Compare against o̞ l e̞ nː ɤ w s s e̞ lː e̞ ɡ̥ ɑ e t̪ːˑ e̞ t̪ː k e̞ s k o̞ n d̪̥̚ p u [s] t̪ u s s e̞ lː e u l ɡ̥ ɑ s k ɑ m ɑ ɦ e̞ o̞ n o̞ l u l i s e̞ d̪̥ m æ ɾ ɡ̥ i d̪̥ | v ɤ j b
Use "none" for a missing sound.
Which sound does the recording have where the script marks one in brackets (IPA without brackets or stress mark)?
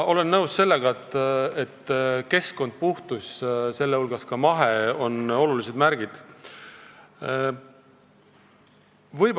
h